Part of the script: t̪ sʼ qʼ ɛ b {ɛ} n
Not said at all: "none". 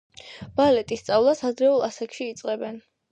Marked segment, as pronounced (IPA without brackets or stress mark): ɛ